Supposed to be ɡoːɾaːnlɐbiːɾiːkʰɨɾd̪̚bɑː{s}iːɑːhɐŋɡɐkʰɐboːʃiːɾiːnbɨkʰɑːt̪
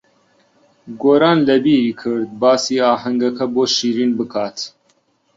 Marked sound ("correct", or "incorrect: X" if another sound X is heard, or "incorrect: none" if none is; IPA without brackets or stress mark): correct